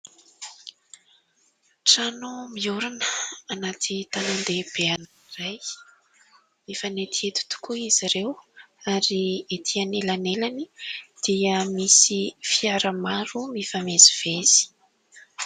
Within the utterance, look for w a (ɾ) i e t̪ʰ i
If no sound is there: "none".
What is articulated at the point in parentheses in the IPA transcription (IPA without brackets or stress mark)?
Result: ɾ